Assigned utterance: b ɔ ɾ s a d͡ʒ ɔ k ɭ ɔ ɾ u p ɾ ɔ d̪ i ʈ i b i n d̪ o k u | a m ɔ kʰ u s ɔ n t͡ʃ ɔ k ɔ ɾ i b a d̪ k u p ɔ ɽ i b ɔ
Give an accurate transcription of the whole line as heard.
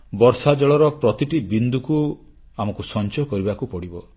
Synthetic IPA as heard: b ɔ ɾ s a d͡ʒ ɔ ɭ ɔ ɾ ɔ p ɾ ɔ t̪ i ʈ i b i n d̪ u k u | a m ɔ k u s ɔ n t͡ʃ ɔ k ɔ ɾ i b a k u p ɔ ɽ i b ɔ

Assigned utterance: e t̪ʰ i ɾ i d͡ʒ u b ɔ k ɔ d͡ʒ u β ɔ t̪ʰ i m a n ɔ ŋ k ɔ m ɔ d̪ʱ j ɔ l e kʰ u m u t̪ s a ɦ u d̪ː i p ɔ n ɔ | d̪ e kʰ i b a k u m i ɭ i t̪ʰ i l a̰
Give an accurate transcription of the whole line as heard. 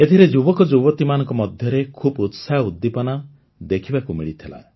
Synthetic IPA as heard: e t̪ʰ i ɾ e d͡ʒ u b ɔ k ɔ d͡ʒ u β ɔ t̪ i m a n ɔ ŋ k ɔ m ɔ d̪ʱ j ɔ ɾ e kʰ u b u t̪ s a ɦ u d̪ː i p ɔ n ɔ | d̪ e kʰ i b a k u m i ɭ i t̪ʰ i l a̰

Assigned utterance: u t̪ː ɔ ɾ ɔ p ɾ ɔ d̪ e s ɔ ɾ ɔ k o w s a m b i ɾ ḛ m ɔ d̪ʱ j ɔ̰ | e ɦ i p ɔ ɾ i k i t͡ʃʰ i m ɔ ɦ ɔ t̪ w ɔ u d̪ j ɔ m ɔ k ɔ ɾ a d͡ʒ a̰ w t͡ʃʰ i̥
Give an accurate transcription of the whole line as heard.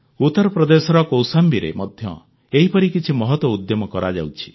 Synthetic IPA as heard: u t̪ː ɔ ɾ ɔ p ɾ ɔ d̪ e s ɔ ɾ ɔ k o w s a m b i ɾ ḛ m ɔ d̪ʱ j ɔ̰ | e ɦ i p ɔ ɾ i k i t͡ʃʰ i m ɔ ɦ ɔ t̪ w ɔ u d̪ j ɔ m ɔ k ɔ ɾ a d͡ʒ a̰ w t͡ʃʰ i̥

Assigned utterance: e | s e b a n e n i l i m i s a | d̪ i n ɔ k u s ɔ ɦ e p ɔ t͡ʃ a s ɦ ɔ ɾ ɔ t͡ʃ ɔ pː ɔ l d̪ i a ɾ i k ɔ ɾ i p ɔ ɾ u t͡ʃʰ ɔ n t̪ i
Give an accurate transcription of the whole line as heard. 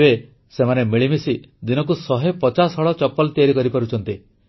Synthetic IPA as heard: e | s e m a n e m i ɭ i m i s i | d̪ i n ɔ k u s ɔ ɦ e p ɔ t͡ʃ a s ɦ ɔ ɭ ɔ t͡ʃ ɔ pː ɔ l t̪ i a ɾ i k ɔ ɾ i p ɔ ɾ u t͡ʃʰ ɔ n t̪ i

